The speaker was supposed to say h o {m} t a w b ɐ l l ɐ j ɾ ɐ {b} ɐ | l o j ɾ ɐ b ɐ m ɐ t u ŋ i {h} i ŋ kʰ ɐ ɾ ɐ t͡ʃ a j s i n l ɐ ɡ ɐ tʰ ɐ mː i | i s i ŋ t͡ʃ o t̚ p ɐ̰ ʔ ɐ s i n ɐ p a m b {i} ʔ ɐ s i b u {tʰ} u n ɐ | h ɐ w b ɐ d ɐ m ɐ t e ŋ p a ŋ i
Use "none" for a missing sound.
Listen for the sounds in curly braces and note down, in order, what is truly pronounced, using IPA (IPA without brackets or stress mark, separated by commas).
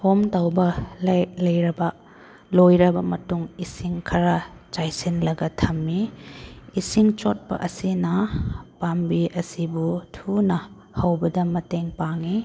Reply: m, b, s, i, tʰ